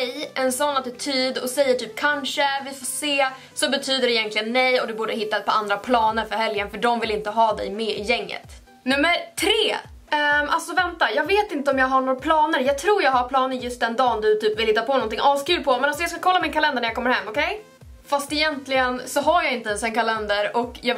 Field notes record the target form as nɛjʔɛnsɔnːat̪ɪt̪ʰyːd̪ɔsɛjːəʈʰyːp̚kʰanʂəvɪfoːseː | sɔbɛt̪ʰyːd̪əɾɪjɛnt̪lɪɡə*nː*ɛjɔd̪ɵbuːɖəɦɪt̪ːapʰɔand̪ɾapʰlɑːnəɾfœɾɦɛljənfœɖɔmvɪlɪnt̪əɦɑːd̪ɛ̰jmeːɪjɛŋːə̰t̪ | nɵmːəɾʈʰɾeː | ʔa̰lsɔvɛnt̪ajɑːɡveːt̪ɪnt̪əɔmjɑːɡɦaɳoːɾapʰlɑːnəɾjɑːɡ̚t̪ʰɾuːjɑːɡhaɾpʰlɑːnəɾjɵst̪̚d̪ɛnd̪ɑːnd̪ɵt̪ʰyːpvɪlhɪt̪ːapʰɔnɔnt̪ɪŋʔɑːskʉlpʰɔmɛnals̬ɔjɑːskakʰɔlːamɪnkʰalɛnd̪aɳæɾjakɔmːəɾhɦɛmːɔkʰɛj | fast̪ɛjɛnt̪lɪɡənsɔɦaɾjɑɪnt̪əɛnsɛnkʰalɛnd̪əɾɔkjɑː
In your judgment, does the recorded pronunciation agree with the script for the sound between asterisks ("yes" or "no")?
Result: yes